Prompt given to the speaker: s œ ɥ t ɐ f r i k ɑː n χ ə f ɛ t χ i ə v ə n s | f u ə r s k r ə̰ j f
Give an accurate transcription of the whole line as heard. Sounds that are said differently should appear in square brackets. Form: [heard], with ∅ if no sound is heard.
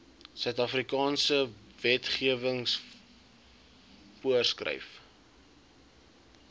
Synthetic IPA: s œ ɥ t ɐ f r i k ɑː n [s] ə [v] ɛ t χ i ə v ə [ŋ] s | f u ə r s k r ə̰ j f